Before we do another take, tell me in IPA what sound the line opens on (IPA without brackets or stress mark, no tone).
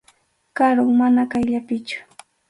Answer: k